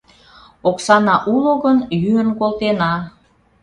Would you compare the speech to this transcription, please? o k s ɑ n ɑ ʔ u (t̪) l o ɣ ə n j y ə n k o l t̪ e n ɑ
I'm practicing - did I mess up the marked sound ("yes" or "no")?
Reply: yes